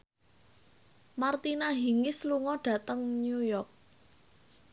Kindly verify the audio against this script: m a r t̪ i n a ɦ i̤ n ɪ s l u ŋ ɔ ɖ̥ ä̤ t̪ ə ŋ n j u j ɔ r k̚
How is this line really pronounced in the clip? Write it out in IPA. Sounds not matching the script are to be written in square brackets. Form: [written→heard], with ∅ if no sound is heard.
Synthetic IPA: m a r t̪ i n a ɦ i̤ [n→ŋ] ɪ s l u ŋ ɔ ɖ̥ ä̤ t̪ ə ŋ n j u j ɔ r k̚